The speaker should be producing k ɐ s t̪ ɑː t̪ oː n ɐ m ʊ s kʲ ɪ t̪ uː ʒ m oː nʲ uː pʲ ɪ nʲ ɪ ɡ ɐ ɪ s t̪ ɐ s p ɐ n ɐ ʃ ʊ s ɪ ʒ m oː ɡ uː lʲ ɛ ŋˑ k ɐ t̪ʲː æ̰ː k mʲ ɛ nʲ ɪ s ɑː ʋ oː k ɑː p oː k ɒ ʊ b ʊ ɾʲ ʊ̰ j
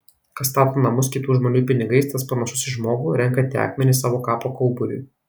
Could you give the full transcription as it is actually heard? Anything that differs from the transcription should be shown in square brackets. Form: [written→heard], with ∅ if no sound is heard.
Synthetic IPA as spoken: k ɐ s t̪ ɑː t̪ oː n ɐ m ʊ s kʲ ɪ t̪ uː ʒ m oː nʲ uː pʲ ɪ nʲ ɪ ɡ ɐ ɪ s t̪ ɐ s p ɐ n ɐ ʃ ʊ s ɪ ʒ m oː ɡ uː [lʲ→ɾʲ] ɛ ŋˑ k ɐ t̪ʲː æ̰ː k mʲ ɛ nʲ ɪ s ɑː ʋ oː k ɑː p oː k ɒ ʊ b ʊ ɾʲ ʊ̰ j